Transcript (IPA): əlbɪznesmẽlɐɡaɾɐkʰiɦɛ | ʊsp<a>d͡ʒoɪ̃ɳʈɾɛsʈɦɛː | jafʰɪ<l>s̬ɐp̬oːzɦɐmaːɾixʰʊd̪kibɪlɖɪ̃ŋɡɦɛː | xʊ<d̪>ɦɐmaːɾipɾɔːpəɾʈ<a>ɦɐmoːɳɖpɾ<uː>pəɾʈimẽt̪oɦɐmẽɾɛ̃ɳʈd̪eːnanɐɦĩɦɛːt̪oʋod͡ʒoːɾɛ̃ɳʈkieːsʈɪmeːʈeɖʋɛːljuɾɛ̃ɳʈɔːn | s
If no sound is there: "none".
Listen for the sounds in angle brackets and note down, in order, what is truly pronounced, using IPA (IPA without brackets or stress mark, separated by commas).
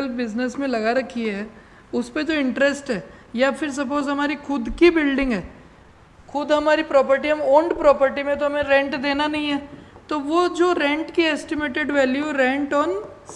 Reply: e, ɾ, d̪, i, ɔː